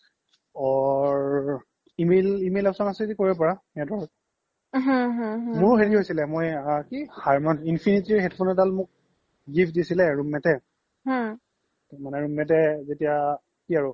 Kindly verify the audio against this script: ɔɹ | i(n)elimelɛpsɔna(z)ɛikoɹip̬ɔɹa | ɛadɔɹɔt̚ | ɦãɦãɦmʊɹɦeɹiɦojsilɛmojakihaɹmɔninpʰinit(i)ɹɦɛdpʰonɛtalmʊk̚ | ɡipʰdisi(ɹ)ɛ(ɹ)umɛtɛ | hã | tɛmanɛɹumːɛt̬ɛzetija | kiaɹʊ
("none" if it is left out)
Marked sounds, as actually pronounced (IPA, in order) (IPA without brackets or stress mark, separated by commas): m, s, i, l, ɹ